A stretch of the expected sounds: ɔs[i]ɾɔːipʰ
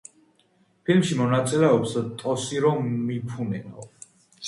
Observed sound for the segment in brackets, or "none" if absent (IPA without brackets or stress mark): i